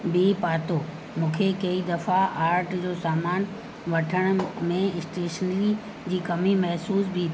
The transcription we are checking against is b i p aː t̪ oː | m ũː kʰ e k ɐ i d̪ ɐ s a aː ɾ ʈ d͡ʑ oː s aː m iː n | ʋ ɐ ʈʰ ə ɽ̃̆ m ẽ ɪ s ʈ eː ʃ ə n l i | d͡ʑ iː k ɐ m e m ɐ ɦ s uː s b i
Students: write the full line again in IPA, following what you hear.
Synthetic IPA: b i p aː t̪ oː | m ũː kʰ e k ɐ i d̪ ɐ f a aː ɾ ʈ d͡ʑ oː s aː m aː n | ʋ ɐ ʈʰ ə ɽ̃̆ m ẽ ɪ s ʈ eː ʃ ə n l i | d͡ʑ iː k ɐ m i m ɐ ɦ s uː s b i